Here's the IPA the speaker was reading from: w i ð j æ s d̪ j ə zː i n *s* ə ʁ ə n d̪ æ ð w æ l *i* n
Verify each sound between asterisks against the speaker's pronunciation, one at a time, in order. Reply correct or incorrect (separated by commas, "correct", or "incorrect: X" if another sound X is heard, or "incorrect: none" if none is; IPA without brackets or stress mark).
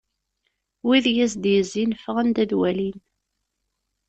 incorrect: f, correct